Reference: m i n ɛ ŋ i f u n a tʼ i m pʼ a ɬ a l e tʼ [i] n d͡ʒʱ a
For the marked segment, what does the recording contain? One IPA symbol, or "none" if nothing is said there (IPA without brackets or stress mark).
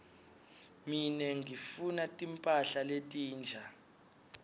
iː